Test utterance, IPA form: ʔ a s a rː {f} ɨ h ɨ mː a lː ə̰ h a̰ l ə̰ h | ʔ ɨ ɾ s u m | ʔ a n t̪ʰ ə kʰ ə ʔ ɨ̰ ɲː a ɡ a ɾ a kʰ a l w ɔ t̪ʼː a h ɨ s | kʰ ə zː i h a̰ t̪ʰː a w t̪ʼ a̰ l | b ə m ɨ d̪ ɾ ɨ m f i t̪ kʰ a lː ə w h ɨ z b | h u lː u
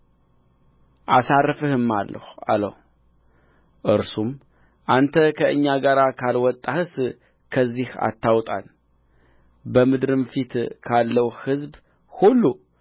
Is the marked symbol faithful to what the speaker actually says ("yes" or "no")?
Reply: yes